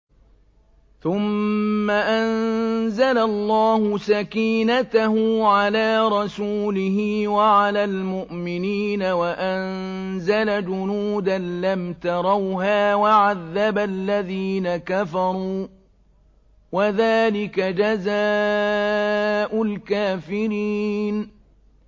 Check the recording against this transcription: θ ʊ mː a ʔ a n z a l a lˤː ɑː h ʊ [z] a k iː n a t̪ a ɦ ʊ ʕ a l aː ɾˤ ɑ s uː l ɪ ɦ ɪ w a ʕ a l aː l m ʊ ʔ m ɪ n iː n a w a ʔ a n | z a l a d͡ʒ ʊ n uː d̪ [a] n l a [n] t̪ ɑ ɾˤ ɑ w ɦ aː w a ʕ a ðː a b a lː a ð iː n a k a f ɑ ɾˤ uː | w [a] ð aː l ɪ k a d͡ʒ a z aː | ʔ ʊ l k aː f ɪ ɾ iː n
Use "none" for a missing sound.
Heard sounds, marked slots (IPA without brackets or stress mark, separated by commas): s, a, m, a